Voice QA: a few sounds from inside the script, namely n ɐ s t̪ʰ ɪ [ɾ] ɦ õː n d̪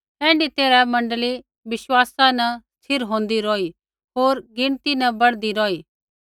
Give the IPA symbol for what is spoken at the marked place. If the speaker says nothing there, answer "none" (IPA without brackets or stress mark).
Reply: ɾ